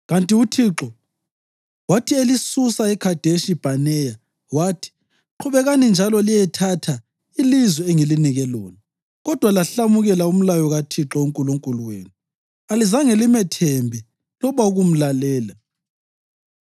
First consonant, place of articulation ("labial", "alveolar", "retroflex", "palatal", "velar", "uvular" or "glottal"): velar